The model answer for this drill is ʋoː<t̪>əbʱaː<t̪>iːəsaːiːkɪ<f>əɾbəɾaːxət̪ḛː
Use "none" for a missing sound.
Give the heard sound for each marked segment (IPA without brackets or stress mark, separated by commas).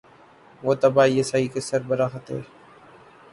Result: t̪, none, s